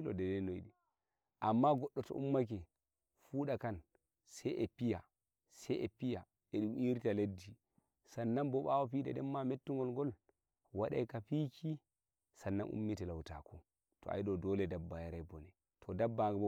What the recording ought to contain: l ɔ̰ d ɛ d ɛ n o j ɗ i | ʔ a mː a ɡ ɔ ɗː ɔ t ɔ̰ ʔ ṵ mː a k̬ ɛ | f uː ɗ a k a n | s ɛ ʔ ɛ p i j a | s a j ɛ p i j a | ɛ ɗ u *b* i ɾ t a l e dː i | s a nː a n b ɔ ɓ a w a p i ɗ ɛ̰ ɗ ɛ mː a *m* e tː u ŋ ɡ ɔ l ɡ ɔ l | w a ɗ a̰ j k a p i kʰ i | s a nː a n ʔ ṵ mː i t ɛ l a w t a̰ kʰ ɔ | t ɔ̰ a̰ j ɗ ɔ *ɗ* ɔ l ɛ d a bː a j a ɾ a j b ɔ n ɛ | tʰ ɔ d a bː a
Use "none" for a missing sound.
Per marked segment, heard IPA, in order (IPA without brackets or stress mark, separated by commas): m, m, d